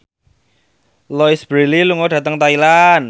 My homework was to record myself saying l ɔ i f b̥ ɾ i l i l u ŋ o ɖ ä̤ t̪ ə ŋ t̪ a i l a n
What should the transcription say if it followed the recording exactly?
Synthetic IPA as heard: l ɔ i s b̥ ɾ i l i l u ŋ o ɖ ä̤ t̪ ə ŋ t̪ a i l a n